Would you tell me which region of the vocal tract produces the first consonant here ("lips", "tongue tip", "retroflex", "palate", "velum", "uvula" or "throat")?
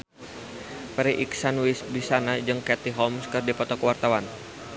lips